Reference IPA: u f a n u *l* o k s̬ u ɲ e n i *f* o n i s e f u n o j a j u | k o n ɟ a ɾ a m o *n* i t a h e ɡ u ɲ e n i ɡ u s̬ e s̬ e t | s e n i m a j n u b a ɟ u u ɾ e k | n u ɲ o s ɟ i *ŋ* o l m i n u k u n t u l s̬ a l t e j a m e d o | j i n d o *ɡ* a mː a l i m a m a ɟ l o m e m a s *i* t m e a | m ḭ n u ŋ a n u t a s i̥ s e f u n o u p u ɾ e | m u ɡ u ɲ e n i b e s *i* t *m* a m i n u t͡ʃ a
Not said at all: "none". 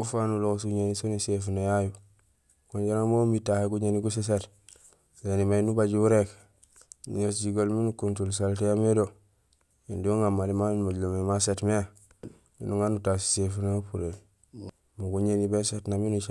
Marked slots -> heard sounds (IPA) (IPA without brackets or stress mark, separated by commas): l, s, m, ɡ, ŋ, e, e, n